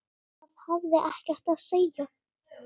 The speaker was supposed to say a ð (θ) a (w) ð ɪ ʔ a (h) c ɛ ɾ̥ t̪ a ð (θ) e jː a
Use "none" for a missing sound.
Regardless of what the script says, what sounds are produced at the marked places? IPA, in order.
h, v, h, s

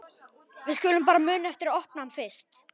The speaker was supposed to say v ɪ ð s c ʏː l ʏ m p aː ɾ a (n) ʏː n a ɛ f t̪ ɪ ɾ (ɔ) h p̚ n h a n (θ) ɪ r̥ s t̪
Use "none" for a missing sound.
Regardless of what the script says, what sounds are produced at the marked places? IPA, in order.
m, ɔ, f

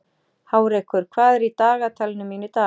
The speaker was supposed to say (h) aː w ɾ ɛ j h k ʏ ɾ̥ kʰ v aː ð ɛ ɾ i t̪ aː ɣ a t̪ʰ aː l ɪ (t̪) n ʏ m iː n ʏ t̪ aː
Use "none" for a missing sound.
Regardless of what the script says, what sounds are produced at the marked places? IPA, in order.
h, none

